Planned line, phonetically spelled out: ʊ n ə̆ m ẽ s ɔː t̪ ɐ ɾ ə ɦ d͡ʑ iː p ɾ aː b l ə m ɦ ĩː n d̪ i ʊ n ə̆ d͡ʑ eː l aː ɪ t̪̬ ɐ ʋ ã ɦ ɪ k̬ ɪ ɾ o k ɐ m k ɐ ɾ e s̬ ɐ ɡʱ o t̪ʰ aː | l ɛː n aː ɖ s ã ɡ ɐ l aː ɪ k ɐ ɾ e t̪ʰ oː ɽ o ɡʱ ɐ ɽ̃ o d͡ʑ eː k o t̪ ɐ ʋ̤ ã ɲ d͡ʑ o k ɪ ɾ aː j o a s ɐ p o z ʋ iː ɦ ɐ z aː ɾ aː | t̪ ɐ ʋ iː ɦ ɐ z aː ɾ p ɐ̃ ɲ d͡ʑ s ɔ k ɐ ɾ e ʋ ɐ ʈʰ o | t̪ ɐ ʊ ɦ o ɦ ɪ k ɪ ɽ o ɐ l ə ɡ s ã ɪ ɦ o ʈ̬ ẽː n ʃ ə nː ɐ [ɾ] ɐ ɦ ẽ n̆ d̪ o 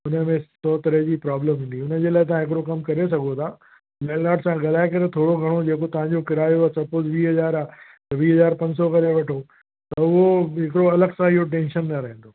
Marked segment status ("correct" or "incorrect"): correct